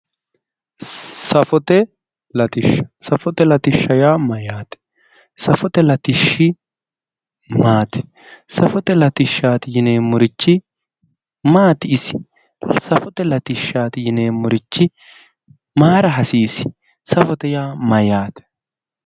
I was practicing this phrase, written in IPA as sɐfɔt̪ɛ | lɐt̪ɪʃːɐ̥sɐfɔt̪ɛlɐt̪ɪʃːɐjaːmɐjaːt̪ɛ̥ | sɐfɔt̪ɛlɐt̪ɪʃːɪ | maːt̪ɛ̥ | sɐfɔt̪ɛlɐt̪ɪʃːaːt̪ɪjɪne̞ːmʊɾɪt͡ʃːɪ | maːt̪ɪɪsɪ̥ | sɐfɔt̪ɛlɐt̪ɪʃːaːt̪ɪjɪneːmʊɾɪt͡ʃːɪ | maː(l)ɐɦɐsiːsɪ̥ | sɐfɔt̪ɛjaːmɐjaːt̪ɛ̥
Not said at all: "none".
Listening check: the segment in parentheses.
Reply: ɾ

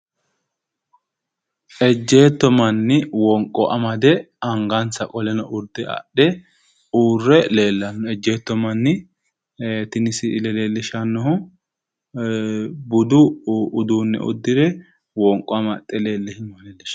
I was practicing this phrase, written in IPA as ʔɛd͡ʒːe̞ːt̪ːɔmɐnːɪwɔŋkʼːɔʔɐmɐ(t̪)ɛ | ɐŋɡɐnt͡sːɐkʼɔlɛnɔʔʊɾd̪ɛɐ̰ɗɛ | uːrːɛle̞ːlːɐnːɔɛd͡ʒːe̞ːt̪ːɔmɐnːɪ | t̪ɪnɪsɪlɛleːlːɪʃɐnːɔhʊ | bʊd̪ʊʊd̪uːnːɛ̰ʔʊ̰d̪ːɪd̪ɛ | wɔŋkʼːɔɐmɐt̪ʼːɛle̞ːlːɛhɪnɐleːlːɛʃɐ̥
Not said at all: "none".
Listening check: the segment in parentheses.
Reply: d̪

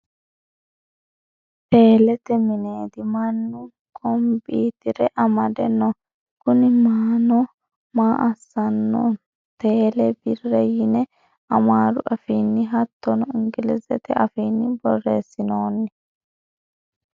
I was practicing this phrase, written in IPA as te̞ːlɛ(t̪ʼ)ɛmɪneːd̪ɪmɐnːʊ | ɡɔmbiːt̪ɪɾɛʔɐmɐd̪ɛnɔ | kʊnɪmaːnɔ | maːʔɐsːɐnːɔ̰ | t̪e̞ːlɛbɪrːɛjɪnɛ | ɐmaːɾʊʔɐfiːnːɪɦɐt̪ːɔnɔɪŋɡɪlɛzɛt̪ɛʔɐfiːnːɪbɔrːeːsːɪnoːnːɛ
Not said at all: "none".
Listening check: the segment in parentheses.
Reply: t̪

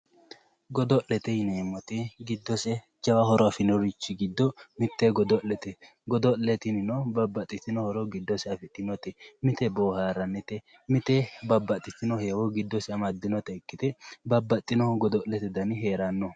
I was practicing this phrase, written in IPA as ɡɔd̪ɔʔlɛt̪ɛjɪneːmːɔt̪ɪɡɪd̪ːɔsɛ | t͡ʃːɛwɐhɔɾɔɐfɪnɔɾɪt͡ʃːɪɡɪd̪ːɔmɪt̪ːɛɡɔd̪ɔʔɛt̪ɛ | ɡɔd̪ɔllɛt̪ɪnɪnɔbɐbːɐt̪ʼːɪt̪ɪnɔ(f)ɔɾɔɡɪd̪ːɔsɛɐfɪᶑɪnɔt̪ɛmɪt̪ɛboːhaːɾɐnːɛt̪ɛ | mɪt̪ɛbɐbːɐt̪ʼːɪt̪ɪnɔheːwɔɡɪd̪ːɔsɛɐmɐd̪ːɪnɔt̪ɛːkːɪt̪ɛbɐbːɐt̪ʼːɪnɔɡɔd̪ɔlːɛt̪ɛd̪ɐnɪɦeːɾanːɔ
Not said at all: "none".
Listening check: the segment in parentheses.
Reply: h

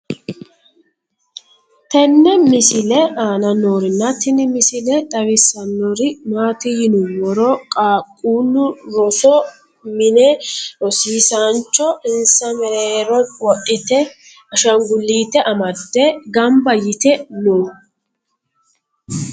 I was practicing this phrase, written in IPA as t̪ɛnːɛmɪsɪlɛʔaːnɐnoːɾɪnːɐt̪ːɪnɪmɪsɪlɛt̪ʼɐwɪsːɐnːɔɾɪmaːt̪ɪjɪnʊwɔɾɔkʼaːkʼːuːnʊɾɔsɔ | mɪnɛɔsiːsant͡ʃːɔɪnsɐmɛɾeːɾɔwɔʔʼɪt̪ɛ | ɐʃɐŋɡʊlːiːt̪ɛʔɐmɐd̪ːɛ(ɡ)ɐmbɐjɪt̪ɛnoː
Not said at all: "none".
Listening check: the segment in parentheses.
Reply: ɡ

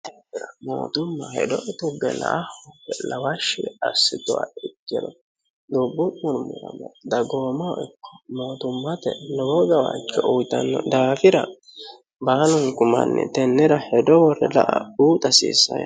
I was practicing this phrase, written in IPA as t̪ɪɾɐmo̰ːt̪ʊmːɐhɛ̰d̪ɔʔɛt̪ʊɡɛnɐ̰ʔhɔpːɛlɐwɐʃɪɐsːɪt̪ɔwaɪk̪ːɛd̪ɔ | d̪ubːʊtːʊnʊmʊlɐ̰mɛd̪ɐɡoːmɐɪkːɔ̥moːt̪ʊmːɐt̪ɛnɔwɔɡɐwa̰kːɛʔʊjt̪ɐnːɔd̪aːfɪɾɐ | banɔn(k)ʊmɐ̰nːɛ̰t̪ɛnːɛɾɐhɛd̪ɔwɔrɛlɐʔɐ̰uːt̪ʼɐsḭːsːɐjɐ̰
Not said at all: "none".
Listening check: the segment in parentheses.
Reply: k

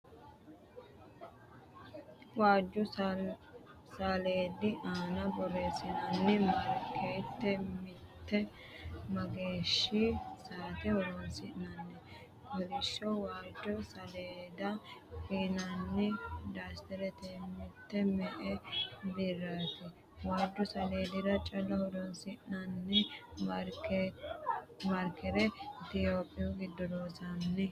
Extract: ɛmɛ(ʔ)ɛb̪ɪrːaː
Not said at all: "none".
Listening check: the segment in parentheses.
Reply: ʔ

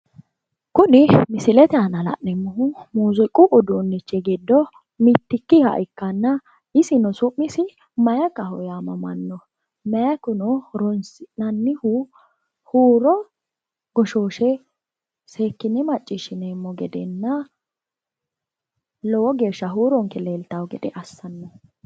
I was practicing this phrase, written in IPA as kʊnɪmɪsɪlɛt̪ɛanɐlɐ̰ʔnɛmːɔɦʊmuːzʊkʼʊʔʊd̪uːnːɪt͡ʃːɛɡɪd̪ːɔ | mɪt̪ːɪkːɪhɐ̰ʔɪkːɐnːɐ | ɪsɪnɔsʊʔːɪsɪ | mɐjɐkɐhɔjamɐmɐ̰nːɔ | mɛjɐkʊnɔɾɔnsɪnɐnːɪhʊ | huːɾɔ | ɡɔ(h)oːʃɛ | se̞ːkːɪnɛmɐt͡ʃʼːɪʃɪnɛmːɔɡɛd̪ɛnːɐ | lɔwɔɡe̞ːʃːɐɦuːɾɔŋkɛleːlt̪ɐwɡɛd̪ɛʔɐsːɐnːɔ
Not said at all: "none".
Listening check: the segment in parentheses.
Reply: ʃ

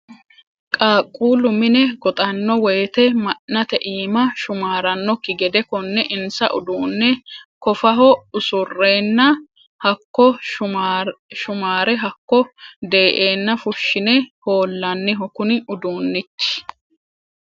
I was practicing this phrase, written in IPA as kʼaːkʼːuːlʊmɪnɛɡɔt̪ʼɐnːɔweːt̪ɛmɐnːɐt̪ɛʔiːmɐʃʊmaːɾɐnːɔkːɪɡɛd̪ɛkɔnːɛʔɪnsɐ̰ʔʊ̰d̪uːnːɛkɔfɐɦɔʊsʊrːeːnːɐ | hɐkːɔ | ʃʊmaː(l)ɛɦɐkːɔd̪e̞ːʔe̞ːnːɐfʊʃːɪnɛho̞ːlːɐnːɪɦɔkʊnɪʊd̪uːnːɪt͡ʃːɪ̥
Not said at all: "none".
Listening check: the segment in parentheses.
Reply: ɾ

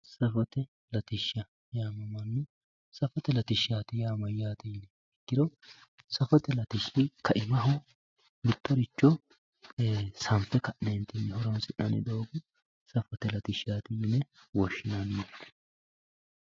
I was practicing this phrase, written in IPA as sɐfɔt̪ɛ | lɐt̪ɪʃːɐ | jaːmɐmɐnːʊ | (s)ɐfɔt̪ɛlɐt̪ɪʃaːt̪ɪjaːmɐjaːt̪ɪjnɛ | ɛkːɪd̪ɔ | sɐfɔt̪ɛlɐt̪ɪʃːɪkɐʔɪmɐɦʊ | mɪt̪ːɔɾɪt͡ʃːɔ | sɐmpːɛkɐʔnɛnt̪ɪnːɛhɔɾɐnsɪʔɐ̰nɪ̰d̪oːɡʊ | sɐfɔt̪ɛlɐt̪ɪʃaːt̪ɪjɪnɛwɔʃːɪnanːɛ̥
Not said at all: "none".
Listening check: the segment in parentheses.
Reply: s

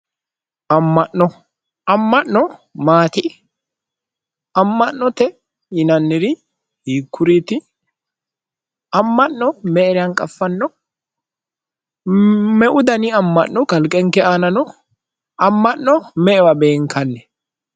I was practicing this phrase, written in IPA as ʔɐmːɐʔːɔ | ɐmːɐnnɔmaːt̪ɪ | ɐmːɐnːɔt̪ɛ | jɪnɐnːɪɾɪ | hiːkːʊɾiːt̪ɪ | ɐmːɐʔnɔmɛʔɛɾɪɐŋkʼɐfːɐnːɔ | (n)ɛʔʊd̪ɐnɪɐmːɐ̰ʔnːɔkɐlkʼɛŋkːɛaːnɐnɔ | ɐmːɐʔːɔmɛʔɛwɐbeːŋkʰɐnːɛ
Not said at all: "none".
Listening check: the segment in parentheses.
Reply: m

